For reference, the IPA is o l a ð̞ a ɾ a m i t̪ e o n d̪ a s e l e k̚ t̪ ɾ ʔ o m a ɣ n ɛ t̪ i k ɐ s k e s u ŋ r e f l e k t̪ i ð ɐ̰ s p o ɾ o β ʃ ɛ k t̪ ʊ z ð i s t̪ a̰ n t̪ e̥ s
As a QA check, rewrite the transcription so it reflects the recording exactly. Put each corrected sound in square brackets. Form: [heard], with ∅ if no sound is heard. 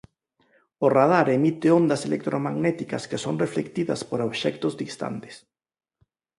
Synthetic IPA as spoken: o [r] a ð̞ a ɾ [e] m i t̪ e o n d̪ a s e l e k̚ t̪ ɾ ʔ o m a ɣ n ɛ t̪ i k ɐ s k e s [o] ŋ r e f l e k t̪ i ð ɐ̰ s p o ɾ o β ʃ ɛ k t̪ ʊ z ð i s t̪ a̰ n t̪ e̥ s

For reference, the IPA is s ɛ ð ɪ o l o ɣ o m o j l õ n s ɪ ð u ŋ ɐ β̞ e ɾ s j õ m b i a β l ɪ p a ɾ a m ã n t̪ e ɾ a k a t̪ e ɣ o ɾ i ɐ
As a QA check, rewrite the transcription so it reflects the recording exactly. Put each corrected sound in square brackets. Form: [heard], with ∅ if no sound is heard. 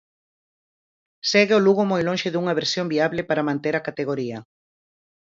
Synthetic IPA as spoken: s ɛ [ɣ] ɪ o l [u] ɣ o m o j l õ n [ʃ] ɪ ð u ŋ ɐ β̞ e ɾ s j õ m b i a β l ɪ p a ɾ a m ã n t̪ e ɾ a k a t̪ e ɣ o ɾ i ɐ

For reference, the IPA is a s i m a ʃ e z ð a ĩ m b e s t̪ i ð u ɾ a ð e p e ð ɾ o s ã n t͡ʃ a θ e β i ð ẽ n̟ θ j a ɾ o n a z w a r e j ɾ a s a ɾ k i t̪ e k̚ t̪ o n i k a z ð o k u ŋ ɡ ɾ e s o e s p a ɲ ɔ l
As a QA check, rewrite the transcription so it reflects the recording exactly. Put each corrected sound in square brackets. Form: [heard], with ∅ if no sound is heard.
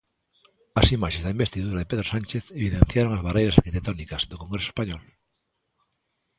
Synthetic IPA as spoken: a s i m a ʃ e z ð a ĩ m b e s t̪ i ð u ɾ a ð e p e ð ɾ o s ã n t͡ʃ [e] θ e β i ð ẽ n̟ θ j a ɾ o [ŋ] a z [β] a r e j ɾ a s a ɾ k i t̪ e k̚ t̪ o n i k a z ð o k [o] ŋ ɡ ɾ e s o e s p a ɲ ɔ l

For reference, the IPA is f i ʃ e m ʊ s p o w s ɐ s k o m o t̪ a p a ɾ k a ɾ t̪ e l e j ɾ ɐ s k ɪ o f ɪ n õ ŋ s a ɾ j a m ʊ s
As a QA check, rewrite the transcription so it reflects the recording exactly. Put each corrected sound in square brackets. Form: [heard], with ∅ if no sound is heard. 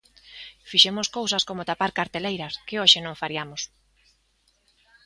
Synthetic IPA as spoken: f i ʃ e m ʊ s [k] o w s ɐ s k o m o t̪ a p a ɾ k a ɾ t̪ e l e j ɾ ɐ s k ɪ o [ʃ] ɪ n õ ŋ [f] a ɾ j a m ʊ s

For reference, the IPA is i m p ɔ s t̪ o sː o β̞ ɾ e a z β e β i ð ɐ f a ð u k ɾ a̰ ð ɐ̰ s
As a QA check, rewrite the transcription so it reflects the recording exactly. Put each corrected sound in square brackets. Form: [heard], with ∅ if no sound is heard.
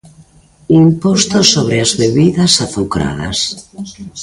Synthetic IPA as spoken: i m p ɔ s t̪ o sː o β̞ ɾ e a z β e β i ð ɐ [s] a [θ] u k ɾ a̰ ð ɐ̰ s

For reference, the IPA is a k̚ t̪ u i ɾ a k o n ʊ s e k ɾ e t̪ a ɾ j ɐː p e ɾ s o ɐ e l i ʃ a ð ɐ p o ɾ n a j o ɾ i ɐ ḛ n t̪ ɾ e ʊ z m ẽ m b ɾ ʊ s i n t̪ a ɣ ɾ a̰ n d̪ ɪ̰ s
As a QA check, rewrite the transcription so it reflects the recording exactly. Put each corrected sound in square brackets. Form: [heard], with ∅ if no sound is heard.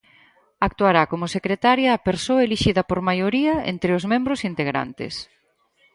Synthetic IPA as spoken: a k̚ t̪ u [a] ɾ a k o [m] ʊ s e k ɾ e t̪ a ɾ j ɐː p e ɾ s o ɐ e l i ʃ [i] ð ɐ p o ɾ [m] a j o ɾ i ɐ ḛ n t̪ ɾ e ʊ z m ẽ m b ɾ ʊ s i n t̪ [e] ɣ ɾ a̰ n [t̪] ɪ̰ s

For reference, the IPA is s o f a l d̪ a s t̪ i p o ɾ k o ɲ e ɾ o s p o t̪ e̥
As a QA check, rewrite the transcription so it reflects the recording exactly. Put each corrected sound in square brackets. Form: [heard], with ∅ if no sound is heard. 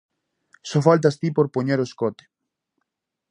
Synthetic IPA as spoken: s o f a l [t̪] a s t̪ i p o ɾ [p] o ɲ e ɾ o s [k] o t̪ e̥

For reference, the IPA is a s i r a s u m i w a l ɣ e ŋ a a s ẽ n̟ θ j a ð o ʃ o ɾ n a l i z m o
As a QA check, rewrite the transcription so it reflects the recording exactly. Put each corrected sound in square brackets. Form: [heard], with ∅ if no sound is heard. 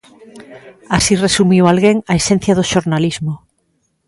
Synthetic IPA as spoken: a s i r [e] s u m i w a l ɣ e ŋ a [e] s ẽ n̟ θ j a ð o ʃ o ɾ n a l i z m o

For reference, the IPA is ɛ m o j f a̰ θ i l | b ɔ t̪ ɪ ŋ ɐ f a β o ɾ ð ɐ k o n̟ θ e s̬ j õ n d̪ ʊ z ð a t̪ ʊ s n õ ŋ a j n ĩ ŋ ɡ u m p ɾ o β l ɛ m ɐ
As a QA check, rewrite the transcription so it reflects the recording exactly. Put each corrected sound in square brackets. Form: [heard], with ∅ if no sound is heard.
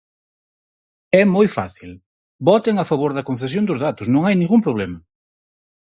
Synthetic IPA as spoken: ɛ m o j f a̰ θ i l | b ɔ t̪ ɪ ŋ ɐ f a β o ɾ ð ɐ k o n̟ θ e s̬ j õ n d̪ ʊ z ð a t̪ ʊ s n õ ŋ a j n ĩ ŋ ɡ u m p ɾ o β l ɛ m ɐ

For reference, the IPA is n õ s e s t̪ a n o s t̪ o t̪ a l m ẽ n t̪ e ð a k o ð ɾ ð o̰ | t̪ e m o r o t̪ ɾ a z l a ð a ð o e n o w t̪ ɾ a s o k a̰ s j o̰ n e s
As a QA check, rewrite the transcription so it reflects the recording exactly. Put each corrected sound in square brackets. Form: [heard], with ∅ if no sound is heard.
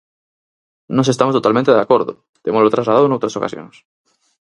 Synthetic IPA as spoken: n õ s e s t̪ a [m] o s t̪ o t̪ a l m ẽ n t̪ e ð a k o [∅] ɾ ð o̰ | t̪ e m o [l] o t̪ ɾ a z l a ð a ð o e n o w t̪ ɾ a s o k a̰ s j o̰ n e s

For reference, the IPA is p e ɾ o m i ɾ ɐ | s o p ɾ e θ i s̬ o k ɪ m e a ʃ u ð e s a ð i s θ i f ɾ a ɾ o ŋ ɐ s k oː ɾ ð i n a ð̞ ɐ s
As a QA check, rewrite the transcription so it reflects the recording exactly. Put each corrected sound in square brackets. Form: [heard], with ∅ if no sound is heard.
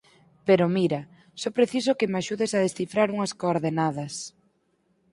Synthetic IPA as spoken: p e ɾ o m i ɾ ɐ | s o p ɾ e θ i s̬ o k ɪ m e a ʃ u ð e s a ð [e] s θ i f ɾ a ɾ [u] ŋ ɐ s k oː ɾ ð [e] n a ð̞ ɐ s

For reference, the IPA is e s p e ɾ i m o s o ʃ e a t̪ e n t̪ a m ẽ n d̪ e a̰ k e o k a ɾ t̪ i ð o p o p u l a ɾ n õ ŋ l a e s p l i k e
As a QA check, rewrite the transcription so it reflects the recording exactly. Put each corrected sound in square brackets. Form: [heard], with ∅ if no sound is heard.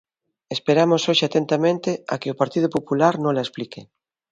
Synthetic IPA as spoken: e s p e ɾ [a] m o s o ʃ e a t̪ e n t̪ a m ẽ n [t̪] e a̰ k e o [p] a ɾ t̪ i ð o p o p u l a ɾ n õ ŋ l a e s p l i k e

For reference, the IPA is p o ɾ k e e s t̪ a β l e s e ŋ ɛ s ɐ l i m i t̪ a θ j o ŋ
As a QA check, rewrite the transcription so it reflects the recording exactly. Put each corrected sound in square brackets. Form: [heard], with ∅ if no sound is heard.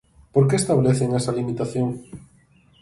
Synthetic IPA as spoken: p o ɾ k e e s t̪ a β l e [θ] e ŋ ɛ s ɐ l i m i t̪ a θ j o ŋ

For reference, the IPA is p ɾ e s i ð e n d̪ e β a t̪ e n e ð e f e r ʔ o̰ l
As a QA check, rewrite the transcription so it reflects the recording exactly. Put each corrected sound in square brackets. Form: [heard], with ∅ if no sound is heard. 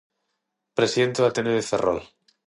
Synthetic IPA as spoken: p ɾ e s i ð e n [t̪] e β a t̪ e n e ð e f e r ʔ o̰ l

